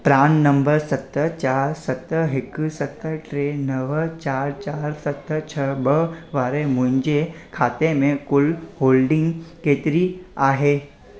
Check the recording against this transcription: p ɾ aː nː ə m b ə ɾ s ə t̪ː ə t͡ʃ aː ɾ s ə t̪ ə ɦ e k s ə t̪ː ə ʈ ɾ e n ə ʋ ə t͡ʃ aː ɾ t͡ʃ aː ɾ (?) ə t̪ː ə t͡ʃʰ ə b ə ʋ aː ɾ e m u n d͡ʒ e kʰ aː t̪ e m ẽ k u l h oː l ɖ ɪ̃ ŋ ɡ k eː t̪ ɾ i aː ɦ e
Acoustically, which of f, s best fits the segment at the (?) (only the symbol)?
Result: s